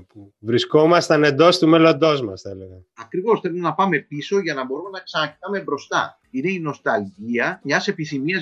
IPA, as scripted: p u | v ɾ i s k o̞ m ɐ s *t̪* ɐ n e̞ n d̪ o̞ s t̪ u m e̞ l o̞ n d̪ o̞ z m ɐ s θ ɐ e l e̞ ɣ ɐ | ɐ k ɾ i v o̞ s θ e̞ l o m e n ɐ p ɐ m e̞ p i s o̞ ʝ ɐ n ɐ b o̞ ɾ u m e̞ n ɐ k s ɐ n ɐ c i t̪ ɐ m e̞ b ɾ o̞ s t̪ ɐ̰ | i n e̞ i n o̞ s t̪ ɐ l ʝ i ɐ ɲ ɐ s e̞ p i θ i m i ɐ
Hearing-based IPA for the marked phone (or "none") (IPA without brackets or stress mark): t̪